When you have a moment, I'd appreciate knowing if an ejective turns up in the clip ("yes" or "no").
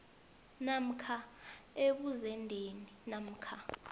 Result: no